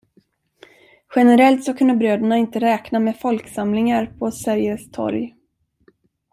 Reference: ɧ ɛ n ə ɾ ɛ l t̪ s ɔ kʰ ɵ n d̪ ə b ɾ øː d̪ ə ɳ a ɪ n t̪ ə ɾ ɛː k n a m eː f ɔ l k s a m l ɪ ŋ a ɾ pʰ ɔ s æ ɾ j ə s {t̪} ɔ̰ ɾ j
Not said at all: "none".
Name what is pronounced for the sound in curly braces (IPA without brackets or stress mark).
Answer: t̪ʰ